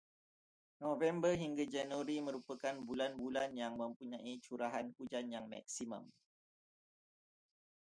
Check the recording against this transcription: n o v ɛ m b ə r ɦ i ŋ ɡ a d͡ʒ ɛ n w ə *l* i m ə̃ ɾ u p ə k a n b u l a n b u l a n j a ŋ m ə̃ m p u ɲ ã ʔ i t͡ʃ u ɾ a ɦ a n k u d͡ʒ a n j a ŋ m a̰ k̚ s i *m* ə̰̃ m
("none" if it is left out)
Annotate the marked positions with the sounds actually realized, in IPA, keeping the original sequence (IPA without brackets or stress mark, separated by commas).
ɾ, m